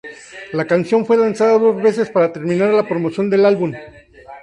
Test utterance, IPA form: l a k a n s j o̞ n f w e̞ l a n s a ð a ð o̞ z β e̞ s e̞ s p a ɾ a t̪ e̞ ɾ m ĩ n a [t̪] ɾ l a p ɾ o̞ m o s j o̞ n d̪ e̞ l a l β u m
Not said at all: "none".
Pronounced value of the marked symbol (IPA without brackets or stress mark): none